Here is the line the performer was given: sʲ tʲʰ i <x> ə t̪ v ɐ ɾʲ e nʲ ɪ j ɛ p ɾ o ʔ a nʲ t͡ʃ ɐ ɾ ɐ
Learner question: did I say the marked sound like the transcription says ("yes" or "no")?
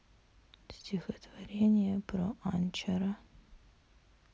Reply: yes